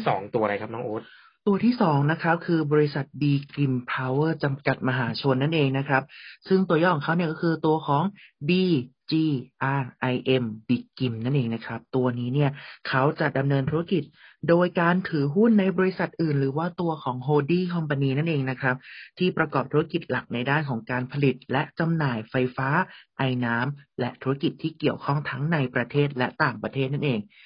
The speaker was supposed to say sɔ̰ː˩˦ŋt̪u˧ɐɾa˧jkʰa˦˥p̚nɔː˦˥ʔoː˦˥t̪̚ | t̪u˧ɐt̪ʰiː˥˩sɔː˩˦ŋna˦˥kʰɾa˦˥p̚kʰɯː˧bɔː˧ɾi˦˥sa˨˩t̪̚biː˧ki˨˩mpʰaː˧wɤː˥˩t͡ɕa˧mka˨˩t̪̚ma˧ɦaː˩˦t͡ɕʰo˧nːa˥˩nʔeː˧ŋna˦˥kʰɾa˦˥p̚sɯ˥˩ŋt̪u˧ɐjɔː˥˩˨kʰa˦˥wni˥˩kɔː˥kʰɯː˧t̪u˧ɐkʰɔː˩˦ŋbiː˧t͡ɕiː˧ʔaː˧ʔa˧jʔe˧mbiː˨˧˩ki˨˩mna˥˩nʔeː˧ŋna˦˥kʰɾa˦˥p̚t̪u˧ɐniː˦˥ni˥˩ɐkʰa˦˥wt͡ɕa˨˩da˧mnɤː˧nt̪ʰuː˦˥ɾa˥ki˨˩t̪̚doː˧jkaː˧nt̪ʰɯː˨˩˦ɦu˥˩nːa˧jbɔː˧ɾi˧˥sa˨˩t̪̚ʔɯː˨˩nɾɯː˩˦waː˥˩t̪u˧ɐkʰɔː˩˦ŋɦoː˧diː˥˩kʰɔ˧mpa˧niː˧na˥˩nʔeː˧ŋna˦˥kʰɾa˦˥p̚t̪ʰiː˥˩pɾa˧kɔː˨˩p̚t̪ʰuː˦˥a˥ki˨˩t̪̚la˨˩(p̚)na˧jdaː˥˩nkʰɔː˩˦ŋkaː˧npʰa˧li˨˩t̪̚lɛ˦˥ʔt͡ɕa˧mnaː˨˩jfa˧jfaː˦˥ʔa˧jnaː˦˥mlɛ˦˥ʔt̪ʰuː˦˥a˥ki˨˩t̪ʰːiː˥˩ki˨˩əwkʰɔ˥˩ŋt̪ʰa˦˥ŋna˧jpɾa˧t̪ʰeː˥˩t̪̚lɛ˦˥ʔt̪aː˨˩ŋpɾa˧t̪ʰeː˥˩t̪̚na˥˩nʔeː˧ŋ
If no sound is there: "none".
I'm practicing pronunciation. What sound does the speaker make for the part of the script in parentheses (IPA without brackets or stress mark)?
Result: k̚